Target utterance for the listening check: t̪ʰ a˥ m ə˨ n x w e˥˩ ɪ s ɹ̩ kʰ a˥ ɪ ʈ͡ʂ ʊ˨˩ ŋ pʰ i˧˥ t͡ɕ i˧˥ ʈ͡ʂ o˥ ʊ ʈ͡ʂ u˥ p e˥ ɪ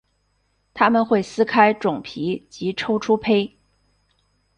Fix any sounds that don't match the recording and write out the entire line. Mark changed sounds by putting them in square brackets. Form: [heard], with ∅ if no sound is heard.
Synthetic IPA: t̪ʰ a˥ m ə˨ n x w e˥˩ ɪ s ɹ̩ kʰ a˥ ɪ ʈ͡ʂ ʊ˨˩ ŋ pʰ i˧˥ t͡ɕ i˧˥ [ʈ͡ʂʰ] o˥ ʊ [ʈ͡ʂʰ] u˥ [pʰ] e˥ ɪ